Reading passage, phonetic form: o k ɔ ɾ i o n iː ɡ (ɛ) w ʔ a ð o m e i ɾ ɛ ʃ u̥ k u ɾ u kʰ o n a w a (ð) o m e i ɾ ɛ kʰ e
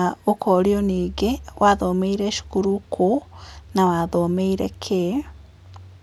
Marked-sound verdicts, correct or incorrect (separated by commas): incorrect, correct